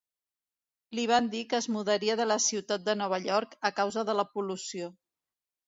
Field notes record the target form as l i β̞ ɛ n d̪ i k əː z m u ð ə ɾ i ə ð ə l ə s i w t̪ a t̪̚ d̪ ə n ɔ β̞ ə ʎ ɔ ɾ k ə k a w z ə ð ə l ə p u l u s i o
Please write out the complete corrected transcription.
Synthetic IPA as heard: l i β̞ a n d̪ i k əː z m u ð ə ɾ i ə ð ə l ə s i w t̪ a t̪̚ d̪ ə n ɔ β̞ ə ʎ ɔ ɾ k ə k a w z ə ð ə l ə p u l u s i o